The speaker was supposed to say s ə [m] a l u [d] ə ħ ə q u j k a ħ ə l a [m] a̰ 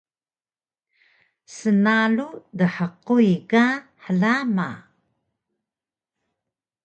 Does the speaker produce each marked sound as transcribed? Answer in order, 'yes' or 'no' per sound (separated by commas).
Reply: no, yes, yes